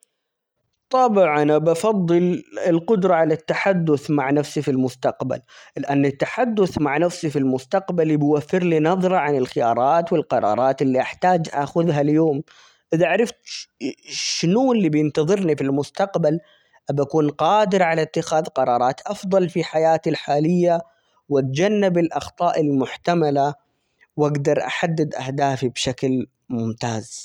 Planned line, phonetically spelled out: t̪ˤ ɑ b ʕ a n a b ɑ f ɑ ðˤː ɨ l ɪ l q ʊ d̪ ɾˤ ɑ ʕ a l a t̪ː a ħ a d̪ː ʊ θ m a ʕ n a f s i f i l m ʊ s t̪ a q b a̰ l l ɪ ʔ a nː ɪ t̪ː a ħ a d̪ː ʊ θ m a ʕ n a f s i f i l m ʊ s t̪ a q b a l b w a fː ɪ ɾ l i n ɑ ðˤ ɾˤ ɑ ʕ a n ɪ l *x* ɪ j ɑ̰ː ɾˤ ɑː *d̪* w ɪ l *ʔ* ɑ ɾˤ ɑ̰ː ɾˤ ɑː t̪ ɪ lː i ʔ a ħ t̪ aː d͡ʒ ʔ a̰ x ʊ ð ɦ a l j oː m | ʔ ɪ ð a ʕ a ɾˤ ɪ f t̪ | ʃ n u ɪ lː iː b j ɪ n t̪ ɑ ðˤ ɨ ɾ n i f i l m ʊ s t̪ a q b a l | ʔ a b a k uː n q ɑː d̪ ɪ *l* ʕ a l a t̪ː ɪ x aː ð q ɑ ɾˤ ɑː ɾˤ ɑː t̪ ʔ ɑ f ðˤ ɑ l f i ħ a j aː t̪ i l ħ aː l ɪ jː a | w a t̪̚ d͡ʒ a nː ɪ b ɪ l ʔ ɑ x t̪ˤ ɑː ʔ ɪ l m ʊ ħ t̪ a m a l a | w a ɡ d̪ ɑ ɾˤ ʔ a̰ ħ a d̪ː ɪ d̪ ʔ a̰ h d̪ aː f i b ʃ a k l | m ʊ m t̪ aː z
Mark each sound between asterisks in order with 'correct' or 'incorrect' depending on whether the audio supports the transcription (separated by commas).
correct, incorrect, incorrect, incorrect